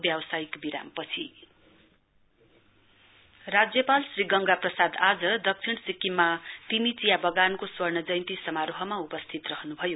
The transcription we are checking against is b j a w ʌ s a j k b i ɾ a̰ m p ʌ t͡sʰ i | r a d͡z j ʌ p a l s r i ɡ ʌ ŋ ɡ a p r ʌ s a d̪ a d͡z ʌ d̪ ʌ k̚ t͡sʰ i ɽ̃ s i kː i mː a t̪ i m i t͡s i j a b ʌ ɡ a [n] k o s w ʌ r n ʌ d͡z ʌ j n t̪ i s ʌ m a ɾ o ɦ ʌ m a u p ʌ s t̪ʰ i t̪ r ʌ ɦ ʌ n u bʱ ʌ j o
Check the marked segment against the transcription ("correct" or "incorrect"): correct